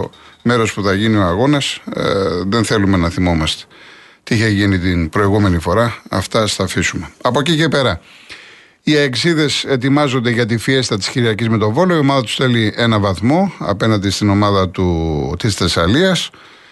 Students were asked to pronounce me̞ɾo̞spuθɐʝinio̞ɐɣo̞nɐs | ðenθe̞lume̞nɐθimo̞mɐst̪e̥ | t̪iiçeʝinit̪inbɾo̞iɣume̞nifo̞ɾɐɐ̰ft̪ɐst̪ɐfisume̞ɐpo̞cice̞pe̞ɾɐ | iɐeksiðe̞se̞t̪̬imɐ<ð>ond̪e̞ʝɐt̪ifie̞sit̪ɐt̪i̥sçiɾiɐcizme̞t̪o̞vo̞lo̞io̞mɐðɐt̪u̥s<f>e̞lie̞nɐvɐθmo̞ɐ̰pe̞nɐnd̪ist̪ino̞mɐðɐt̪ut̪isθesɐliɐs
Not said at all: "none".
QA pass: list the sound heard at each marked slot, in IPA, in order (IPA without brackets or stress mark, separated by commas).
z, θ